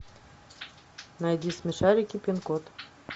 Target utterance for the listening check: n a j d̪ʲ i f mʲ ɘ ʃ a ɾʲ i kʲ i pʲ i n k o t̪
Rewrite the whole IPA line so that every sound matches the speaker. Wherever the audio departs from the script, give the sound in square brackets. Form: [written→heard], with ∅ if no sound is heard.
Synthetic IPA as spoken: n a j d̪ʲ i [f→s] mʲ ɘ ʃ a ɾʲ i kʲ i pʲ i n k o t̪